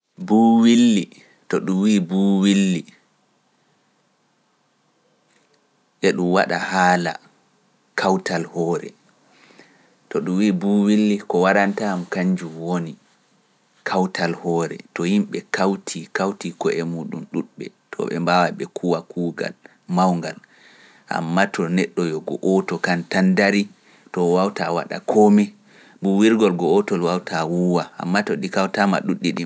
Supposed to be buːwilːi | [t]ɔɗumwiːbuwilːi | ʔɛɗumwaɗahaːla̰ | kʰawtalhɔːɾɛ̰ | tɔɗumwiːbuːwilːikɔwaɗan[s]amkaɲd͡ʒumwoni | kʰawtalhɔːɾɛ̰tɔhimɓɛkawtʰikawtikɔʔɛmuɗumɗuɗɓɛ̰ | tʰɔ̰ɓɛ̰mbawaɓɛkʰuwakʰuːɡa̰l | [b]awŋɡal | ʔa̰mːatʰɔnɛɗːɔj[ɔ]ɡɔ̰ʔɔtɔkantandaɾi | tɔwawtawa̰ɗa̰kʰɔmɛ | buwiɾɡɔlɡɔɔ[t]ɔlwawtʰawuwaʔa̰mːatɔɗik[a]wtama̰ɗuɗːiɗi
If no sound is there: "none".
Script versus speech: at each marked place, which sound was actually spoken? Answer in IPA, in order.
t, t, m, ɔ, t, a

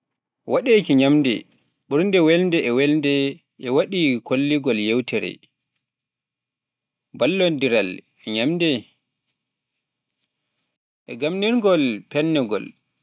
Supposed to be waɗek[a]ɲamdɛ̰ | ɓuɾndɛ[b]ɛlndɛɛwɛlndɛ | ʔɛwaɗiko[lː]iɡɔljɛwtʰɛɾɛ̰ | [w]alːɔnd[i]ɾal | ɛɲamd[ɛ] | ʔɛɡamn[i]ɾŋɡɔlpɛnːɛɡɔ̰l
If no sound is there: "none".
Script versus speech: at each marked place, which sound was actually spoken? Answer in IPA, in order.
i, w, lː, b, i, ɛ, i

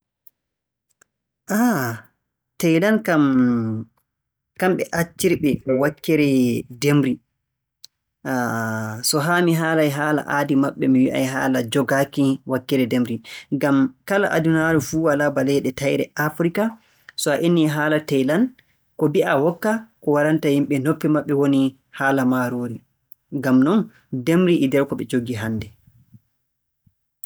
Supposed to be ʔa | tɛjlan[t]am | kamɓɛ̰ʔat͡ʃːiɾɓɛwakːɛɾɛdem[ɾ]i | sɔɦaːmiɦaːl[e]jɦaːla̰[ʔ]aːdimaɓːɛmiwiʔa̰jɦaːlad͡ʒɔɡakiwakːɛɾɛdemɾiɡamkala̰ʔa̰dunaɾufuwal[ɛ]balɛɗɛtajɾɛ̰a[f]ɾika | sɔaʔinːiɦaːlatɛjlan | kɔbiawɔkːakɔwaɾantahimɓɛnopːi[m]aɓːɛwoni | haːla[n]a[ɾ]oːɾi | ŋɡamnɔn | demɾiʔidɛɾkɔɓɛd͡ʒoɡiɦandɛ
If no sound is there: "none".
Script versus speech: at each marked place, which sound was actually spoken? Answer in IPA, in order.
k, ɾ, a, ʔ, a, f, m, m, ɾ

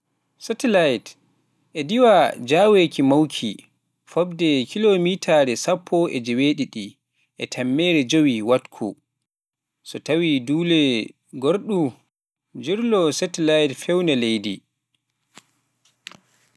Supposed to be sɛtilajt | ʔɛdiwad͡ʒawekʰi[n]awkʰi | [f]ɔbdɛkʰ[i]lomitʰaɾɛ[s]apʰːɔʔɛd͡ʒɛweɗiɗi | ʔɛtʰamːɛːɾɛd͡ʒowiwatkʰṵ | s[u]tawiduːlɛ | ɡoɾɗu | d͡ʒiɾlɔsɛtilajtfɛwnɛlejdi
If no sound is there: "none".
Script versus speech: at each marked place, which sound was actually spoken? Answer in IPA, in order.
m, f, i, s, ɔ

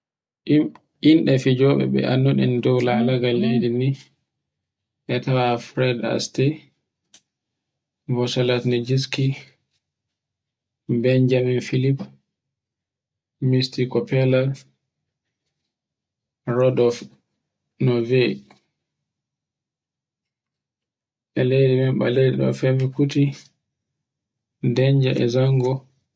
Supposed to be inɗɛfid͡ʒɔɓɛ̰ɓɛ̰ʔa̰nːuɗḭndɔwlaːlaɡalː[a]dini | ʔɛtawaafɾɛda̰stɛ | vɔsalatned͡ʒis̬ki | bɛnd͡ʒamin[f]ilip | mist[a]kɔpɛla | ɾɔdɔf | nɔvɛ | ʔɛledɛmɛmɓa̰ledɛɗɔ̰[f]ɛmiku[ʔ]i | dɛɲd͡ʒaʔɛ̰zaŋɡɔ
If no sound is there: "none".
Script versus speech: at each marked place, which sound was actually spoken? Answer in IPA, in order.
e, f, i, f, t

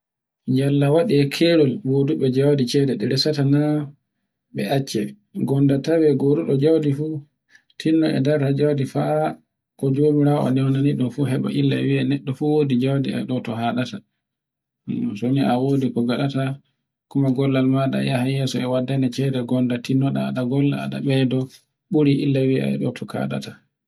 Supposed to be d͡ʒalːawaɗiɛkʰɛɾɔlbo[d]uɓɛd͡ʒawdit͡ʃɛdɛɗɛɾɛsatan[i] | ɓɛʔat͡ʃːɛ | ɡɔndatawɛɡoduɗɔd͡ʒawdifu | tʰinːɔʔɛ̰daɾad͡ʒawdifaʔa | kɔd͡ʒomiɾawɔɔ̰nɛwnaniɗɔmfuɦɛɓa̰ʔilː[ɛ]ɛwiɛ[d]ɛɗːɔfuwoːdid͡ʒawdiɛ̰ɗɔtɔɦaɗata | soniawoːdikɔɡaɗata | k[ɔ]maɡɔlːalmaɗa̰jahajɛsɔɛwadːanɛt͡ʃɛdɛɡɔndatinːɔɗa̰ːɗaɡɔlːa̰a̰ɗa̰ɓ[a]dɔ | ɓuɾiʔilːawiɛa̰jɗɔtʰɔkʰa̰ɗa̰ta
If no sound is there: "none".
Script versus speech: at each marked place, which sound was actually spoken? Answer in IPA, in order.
d, a, a, n, u, ɛ

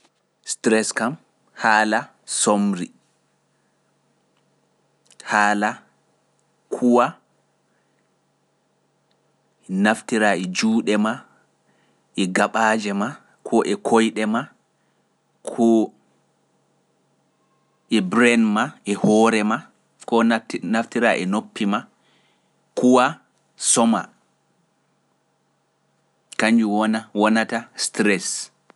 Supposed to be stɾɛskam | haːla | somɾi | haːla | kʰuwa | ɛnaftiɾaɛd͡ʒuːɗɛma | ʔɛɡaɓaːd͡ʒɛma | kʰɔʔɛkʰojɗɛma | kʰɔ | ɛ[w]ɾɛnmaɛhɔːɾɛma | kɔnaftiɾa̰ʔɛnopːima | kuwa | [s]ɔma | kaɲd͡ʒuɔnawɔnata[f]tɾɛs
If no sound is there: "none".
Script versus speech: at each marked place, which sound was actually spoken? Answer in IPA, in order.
b, s, s

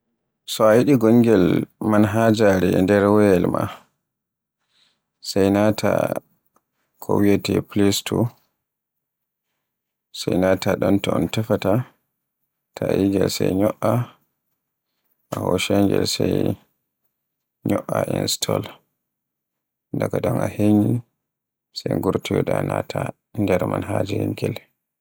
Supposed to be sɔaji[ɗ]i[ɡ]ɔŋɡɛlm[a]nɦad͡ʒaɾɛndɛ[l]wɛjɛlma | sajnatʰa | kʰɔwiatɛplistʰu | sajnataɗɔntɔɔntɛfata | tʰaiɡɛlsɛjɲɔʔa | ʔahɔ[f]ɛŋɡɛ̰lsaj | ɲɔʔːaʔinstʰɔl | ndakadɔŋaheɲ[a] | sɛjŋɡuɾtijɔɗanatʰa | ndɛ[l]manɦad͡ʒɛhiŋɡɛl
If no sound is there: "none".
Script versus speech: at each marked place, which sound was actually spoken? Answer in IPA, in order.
ɗ, ɡ, a, ɾ, ʃ, i, ɾ

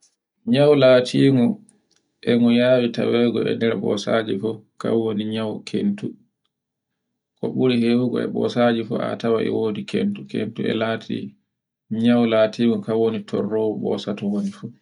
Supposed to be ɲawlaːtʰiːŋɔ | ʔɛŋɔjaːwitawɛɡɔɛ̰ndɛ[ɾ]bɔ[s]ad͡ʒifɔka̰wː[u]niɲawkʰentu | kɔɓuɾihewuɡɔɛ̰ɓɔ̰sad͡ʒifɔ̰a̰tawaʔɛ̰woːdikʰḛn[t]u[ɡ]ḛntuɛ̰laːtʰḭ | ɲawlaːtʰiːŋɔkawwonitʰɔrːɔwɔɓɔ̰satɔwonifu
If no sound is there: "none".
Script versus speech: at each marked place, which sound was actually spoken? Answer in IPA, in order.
ɾ, s, o, t, k

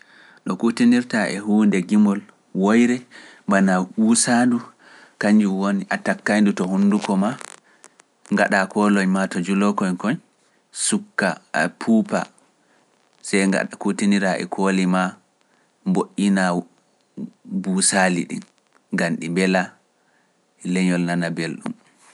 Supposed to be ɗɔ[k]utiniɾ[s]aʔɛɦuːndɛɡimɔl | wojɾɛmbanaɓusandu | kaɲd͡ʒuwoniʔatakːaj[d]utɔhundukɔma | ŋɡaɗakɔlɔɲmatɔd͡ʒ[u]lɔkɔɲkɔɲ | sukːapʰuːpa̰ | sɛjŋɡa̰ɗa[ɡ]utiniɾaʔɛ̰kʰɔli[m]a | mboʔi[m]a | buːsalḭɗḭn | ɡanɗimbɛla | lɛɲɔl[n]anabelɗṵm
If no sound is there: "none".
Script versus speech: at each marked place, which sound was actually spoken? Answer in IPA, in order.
k, t, d, u, k, m, n, n

